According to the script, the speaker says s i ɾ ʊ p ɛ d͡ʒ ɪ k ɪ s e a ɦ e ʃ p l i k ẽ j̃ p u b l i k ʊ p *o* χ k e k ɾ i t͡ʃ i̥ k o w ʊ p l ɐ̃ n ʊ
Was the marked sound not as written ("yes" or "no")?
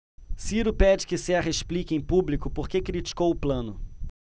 no